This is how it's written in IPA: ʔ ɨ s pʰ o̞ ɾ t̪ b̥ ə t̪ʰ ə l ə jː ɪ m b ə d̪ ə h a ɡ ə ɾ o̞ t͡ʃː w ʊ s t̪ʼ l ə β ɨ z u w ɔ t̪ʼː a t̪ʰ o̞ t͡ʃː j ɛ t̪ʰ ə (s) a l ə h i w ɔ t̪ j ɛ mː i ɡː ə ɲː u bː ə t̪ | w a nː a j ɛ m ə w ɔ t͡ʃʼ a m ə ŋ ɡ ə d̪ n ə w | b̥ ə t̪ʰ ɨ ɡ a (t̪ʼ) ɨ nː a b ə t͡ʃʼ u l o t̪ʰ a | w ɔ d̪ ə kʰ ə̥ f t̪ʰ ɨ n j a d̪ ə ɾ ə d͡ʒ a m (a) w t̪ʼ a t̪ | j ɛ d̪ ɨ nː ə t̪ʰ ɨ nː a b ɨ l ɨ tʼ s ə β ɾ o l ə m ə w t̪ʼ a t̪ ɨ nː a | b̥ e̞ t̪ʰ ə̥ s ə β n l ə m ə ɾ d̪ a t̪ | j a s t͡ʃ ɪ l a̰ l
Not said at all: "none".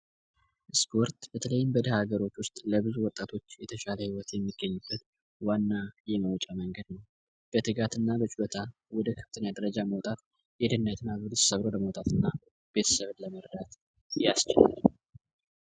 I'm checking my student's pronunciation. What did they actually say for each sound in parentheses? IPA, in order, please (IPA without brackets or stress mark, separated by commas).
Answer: ʃ, t̪, ə